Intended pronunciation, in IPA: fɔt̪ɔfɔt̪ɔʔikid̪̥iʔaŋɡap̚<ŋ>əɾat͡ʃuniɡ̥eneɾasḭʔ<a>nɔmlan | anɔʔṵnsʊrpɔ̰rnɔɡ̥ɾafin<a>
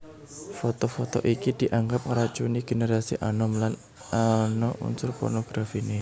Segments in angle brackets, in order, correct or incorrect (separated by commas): correct, correct, incorrect